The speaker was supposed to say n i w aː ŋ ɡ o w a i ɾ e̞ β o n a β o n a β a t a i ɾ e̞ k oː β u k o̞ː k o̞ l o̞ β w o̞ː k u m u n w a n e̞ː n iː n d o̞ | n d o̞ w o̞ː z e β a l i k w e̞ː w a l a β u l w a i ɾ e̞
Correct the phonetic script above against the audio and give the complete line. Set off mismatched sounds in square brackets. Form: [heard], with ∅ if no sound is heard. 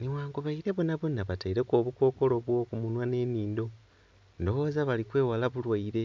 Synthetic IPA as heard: n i w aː ŋ ɡ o [β] a i ɾ e̞ β o n a β o n a β a t a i ɾ e̞ k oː β u k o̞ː k o̞ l o̞ β w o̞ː k u m u n w a n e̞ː n iː n d o̞ | n d o̞ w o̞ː z [a] β a l i k w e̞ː w a l a β u l w a i ɾ e̞